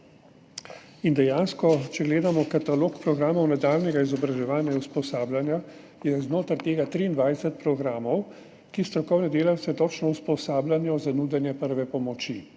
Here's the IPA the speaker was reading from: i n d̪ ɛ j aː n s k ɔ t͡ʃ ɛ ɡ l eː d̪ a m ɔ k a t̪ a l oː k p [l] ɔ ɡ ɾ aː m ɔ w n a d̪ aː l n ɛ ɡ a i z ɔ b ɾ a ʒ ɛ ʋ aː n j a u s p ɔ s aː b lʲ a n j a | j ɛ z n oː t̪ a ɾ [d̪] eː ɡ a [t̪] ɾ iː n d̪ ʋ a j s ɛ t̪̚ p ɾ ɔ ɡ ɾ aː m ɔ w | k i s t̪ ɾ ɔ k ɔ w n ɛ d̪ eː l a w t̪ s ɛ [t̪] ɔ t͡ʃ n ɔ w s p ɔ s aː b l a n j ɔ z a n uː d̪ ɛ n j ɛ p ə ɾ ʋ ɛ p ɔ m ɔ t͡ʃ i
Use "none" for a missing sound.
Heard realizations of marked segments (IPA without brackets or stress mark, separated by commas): ɾ, t̪, t̪, t̪